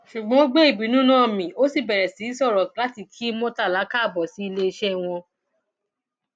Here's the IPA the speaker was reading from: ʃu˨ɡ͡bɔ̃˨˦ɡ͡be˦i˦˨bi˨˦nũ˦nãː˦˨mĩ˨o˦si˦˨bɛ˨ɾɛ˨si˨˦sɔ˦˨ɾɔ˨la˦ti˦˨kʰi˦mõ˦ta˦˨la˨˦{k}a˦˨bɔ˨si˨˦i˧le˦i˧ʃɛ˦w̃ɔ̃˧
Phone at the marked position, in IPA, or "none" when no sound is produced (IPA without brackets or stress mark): k